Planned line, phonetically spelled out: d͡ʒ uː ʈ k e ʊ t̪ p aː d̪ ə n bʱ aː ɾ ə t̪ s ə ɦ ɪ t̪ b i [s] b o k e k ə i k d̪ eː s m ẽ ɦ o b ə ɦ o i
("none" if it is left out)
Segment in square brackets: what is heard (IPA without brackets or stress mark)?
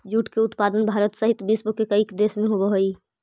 s